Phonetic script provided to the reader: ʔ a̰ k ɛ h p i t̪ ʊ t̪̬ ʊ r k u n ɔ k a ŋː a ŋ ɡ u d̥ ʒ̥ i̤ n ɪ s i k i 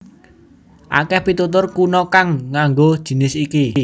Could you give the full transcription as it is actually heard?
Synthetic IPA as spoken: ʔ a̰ k ɛ h p i t̪ u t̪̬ ʊ r k u n ɔ k a ŋː a ŋ ɡ o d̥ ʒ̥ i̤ n ɪ s i k i